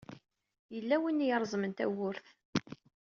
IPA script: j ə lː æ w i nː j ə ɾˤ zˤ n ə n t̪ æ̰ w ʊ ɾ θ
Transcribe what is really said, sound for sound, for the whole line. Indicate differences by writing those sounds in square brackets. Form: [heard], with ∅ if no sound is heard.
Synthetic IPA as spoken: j ə lː æ w i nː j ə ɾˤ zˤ [m] ə n t̪ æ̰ w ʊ ɾ θ